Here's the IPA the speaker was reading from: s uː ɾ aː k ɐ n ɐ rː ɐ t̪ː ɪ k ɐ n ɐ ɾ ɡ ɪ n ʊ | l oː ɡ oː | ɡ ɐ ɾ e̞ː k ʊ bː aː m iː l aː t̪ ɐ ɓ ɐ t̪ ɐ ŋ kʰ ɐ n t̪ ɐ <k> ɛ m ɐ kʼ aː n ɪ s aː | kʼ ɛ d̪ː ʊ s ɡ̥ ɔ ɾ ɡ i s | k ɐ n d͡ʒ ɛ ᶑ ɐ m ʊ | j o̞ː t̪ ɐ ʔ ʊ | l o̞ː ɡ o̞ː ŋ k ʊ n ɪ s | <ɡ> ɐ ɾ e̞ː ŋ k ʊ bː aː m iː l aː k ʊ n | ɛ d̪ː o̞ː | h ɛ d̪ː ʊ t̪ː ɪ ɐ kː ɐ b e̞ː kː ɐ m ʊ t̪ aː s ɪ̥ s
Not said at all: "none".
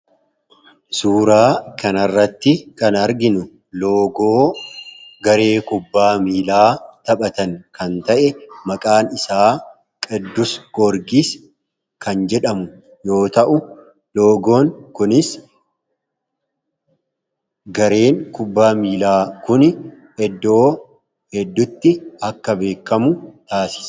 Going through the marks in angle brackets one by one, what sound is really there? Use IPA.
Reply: ʔ, ɡ

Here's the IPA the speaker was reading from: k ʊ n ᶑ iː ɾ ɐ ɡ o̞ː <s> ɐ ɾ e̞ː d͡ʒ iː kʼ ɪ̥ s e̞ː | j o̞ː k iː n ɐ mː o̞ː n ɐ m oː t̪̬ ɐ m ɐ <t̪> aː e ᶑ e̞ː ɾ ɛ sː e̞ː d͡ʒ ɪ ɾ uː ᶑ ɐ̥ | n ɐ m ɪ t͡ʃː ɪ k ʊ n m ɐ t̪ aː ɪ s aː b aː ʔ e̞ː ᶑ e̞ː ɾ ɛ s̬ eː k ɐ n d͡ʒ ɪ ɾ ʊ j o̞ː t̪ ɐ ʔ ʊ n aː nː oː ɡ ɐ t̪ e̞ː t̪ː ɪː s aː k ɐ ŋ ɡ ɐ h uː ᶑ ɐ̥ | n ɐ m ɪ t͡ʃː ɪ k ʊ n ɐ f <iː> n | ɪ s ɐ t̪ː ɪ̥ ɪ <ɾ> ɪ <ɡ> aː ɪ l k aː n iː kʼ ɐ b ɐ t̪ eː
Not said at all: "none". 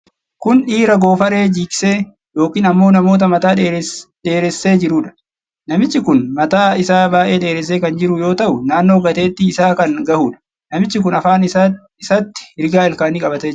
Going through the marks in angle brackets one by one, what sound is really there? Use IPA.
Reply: f, t̪, aː, ɾ, ɡ

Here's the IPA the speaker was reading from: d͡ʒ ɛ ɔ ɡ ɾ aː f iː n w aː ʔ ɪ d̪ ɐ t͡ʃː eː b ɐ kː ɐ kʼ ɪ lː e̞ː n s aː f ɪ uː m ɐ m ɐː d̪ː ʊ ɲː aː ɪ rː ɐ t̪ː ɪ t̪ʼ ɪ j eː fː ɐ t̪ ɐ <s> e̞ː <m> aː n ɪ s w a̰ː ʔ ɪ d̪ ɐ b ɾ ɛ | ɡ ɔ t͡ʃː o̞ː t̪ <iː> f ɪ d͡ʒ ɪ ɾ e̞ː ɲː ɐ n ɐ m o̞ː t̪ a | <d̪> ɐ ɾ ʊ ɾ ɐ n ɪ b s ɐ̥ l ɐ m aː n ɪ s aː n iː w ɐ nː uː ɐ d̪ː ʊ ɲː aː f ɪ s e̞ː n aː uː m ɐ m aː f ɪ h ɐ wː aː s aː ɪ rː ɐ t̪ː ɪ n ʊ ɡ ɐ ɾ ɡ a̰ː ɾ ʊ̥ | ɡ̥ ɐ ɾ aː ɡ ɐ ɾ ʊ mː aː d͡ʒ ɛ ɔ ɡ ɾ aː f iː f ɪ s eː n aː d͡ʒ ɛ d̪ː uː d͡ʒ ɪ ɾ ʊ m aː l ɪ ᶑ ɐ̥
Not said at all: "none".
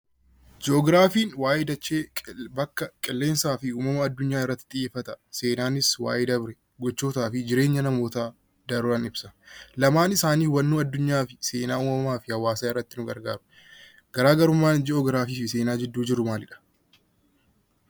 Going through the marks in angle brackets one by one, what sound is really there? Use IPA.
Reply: s, n, aː, d̪

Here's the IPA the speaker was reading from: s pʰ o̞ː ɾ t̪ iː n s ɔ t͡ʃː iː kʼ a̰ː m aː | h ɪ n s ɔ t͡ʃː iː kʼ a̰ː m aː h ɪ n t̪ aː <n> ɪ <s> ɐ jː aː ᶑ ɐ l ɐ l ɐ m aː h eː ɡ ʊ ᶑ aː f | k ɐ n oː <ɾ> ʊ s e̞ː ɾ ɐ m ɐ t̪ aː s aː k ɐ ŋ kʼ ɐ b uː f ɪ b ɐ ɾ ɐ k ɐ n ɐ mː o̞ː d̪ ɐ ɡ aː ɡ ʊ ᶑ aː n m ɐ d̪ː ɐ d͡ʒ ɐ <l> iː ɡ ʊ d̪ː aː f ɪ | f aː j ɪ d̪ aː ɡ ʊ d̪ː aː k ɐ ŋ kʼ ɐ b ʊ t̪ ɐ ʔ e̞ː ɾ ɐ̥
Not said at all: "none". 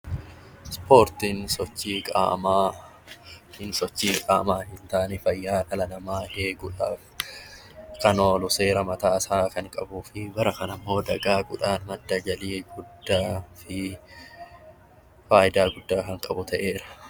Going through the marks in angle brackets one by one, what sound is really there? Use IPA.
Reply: n, f, l, l

